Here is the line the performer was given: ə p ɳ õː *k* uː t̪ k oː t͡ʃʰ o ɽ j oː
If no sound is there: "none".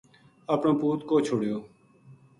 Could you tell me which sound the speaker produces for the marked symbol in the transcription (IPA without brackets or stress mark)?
p